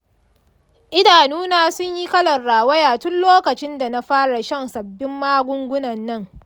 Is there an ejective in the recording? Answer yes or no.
no